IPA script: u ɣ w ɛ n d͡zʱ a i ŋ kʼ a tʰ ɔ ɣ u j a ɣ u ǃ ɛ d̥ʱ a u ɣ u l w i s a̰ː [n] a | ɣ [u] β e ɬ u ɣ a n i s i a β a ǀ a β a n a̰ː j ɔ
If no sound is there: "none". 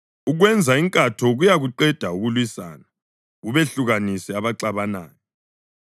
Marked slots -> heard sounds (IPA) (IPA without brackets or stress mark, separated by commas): n, u